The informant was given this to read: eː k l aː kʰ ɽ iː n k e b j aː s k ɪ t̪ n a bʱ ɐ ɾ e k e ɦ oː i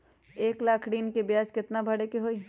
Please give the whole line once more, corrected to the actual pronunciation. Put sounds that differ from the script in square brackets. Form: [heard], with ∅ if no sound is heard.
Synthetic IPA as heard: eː k l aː kʰ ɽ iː n k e b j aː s k ɪ t̪ n a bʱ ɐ [ɽ] e k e ɦ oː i

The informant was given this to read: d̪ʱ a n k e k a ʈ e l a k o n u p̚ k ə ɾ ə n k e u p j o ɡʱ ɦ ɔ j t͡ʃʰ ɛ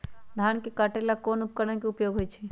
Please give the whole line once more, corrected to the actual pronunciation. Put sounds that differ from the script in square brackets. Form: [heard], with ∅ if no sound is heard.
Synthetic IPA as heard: d̪ʱ a n k e k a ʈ e l a k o n u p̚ k ə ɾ ə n k e u p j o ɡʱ ɦ [o] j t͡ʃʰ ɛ

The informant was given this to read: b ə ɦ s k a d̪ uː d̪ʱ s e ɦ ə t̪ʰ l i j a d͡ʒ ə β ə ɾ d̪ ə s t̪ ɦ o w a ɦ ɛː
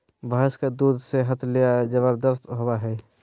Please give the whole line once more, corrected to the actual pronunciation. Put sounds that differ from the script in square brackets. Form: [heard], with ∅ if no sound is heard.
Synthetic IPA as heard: b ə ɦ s k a d̪ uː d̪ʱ s e ɦ ə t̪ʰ l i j a d͡ʒ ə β ə ɾ d̪ ə s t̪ ɦ o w a ɦ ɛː

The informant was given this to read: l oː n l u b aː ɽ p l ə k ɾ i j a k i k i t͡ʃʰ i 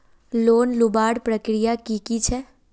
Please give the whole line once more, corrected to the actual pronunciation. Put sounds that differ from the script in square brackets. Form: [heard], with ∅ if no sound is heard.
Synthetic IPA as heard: l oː n l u b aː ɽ p [ɾ] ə k ɾ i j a k i k i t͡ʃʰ [ɛ]

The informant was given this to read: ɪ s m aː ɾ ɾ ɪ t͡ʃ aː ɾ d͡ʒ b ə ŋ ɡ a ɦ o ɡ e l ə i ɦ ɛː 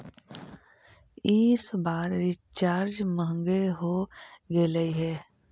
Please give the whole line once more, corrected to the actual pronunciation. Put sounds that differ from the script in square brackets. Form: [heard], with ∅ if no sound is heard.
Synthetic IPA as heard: ɪ s [b] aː ɾ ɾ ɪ t͡ʃ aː ɾ d͡ʒ [m] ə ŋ ɡ [e] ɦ o ɡ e l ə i ɦ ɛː

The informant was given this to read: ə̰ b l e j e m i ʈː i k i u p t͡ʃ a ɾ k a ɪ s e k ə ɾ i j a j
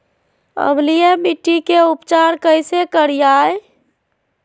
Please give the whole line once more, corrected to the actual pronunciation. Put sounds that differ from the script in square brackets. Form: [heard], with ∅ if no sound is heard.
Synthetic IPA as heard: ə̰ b l [i] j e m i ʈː i k [e] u p t͡ʃ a ɾ k [ə] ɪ s e k ə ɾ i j a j

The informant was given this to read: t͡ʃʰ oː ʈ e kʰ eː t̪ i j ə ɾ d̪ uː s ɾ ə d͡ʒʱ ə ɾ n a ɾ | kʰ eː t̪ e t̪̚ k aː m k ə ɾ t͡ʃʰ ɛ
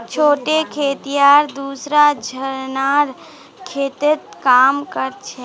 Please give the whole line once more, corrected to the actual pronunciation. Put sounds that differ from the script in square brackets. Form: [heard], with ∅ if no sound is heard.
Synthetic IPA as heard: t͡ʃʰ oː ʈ e kʰ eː t̪ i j [a] ɾ d̪ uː s ɾ [a] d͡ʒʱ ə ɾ n a ɾ | kʰ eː t̪ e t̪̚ k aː m k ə ɾ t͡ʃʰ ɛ

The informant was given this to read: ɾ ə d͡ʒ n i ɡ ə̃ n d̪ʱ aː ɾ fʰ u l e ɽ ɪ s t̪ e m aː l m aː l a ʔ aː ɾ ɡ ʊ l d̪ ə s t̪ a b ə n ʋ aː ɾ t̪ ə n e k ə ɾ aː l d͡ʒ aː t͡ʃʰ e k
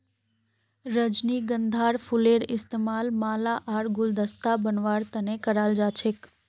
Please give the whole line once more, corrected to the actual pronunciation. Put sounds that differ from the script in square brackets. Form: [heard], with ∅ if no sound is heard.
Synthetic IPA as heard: ɾ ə d͡ʒ n i ɡ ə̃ n d̪ʱ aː ɾ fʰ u l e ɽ ɪ s t̪ e m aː l m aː l a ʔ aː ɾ ɡ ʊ l d̪ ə s t̪ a b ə n ʋ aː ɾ t̪ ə n e k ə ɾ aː l d͡ʒ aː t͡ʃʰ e k

